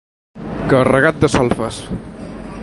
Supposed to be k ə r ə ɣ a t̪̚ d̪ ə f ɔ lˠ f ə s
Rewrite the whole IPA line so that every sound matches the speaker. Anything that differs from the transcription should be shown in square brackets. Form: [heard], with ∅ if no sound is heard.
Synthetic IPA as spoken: k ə r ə ɣ a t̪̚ d̪ ə [s] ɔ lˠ f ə s